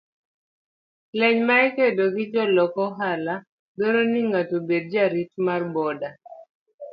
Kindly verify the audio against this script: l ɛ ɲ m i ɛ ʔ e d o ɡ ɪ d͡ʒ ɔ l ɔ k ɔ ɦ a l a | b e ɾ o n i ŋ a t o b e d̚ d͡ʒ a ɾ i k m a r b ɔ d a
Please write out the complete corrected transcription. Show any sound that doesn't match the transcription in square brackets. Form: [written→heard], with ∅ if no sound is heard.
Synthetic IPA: l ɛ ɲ m [i→a] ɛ [ʔ→k] e d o ɡ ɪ d͡ʒ ɔ l ɔ k ɔ ɦ a l a | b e ɾ o n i ŋ a t o b e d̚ d͡ʒ a ɾ i [k→t] m a r b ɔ d a